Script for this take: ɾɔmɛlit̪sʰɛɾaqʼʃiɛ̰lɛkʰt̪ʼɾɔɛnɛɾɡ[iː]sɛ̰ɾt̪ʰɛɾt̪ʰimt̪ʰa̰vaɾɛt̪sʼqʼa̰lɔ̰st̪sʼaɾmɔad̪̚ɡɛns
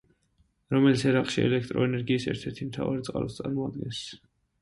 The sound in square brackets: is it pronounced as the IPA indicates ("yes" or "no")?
yes